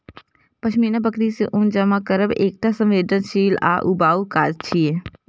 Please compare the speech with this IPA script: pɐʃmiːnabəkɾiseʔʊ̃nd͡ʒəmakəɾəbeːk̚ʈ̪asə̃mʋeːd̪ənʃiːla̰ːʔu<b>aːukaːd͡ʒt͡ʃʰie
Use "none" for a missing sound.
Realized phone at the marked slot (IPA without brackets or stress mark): b